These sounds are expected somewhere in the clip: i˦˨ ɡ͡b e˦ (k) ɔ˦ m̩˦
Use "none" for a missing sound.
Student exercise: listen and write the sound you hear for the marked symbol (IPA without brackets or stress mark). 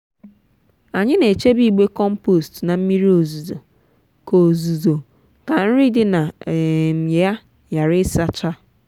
k